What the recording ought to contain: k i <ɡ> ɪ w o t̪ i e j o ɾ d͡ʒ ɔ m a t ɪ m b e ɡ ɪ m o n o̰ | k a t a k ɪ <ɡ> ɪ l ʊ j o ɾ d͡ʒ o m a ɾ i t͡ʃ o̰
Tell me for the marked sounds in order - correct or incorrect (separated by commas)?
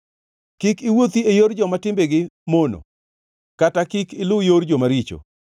incorrect, incorrect